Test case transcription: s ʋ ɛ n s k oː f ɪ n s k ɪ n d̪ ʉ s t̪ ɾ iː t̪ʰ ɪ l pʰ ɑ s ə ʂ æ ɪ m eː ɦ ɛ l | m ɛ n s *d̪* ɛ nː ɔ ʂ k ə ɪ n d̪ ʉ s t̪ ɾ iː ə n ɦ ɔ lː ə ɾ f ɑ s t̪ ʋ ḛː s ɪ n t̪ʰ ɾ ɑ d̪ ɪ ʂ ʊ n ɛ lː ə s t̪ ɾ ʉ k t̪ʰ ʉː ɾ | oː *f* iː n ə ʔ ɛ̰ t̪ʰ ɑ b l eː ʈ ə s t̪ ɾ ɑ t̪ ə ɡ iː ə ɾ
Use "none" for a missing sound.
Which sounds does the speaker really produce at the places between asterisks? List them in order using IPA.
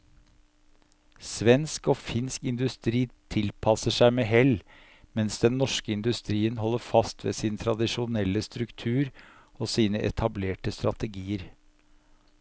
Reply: d̪, s

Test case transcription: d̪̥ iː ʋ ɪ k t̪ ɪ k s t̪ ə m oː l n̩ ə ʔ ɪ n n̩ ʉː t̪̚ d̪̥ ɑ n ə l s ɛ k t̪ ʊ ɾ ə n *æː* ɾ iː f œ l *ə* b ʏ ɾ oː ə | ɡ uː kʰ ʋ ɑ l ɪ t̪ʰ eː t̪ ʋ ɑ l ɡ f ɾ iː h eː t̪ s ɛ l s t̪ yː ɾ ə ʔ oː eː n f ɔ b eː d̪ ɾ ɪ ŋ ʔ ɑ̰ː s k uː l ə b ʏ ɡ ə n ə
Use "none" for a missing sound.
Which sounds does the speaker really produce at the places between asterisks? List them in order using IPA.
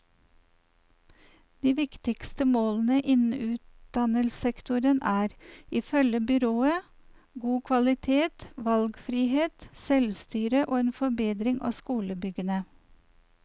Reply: æː, ə

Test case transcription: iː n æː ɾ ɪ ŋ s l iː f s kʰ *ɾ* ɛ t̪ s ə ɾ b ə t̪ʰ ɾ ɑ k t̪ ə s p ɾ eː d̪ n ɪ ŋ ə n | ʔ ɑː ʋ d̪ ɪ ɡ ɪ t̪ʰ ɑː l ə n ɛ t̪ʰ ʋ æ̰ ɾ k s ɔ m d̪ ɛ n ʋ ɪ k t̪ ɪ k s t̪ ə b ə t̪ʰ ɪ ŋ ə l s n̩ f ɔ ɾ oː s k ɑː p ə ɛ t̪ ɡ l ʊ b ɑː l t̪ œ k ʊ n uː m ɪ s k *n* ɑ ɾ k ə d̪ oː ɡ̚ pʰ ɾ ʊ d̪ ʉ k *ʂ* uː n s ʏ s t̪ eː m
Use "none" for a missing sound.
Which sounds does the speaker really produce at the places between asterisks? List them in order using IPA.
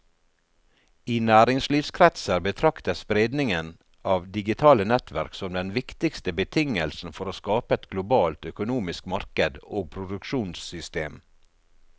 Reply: ɾ, m, ʃ

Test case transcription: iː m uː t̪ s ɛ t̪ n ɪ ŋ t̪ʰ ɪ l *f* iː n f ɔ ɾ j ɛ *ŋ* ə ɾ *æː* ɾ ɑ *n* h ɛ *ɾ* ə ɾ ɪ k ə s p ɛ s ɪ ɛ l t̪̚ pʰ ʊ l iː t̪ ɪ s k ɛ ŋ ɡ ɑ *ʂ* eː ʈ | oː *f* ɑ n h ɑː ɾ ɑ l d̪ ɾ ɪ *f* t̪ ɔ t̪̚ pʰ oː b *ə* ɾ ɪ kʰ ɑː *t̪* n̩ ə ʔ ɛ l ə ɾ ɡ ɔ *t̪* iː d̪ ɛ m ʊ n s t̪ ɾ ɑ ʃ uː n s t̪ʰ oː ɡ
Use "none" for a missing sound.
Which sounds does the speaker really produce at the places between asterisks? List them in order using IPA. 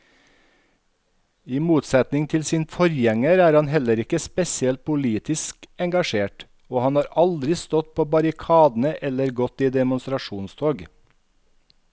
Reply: s, ŋ, æː, n, l, ʃ, h, s, ɑ, d̪, t̪

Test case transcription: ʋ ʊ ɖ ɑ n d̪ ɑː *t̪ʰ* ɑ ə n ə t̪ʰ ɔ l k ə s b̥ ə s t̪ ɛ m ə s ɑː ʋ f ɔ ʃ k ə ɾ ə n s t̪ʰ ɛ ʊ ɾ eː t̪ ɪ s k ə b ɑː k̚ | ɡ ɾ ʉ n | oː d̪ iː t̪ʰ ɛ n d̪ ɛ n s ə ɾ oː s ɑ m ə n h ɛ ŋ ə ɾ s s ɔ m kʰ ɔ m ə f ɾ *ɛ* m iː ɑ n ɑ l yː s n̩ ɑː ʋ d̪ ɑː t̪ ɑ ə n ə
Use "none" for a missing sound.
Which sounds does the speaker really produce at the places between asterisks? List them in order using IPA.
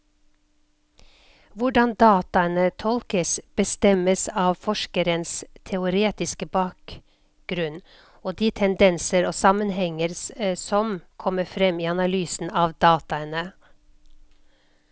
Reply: t̪, ɛ

